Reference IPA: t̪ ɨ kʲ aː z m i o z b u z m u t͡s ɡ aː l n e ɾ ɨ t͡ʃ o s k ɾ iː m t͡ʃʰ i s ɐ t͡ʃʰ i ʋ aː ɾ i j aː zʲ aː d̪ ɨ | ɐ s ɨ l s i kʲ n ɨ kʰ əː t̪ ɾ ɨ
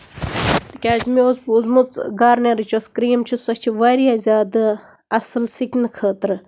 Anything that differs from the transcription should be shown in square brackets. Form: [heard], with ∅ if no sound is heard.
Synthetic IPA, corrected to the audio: t̪ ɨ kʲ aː z m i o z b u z m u t͡s ɡ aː [ɾ] n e ɾ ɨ t͡ʃ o s k ɾ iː m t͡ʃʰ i s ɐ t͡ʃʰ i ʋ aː ɾ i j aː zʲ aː d̪ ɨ | ɐ s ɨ l s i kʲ n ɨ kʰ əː t̪ ɾ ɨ